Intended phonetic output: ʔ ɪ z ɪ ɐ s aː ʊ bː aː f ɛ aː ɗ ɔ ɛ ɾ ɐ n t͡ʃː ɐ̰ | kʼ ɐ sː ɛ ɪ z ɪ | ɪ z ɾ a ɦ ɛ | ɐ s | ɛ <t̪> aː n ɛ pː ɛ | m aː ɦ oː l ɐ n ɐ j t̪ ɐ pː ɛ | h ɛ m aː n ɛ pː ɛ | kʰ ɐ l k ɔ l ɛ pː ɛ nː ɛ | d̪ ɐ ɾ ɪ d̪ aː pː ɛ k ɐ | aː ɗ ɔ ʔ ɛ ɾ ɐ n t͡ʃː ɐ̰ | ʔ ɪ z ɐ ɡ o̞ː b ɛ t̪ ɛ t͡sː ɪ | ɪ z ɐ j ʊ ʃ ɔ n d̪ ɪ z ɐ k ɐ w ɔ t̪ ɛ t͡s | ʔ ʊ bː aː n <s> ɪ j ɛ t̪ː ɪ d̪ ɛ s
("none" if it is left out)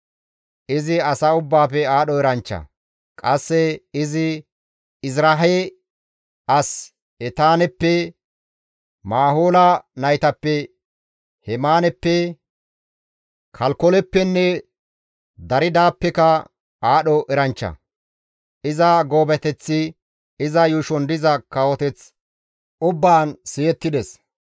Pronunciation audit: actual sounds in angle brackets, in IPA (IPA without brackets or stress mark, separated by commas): t̪, s